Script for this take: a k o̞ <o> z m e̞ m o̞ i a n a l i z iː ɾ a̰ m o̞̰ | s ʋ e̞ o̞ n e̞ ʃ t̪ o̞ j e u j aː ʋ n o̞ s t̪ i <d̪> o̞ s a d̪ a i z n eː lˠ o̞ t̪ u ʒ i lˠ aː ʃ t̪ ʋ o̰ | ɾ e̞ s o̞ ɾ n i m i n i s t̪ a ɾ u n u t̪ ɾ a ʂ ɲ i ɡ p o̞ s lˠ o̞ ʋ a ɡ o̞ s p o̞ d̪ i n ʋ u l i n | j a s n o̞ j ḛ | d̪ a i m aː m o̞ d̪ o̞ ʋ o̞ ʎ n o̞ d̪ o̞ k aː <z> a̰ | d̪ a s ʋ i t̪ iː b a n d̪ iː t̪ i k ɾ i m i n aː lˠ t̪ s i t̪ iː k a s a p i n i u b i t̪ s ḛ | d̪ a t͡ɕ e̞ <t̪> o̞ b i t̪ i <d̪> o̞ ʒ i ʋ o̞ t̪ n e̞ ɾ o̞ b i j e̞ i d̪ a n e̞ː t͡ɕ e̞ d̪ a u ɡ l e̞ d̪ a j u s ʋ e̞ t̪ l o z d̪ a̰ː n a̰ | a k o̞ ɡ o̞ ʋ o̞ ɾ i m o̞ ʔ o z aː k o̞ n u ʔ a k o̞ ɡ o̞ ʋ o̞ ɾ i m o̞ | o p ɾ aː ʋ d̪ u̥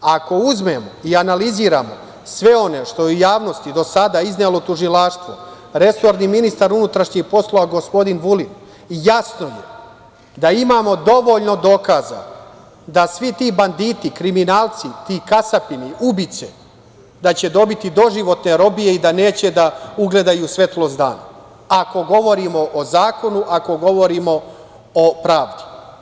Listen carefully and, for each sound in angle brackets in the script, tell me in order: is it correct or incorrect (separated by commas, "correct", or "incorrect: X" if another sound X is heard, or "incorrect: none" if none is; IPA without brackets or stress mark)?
incorrect: u, correct, correct, incorrect: d̪, correct